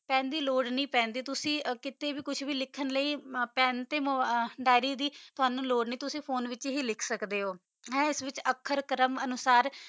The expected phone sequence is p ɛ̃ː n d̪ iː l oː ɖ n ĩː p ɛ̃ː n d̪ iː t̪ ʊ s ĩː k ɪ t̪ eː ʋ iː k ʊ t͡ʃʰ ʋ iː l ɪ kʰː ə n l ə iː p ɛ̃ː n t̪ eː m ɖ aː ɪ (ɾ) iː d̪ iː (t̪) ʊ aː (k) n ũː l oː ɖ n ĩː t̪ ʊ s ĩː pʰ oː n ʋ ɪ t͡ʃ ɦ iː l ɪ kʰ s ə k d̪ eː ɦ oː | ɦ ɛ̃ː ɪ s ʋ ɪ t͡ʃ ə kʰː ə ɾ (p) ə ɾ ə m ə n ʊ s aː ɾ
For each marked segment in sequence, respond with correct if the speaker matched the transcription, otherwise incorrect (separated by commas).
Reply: correct, correct, incorrect, incorrect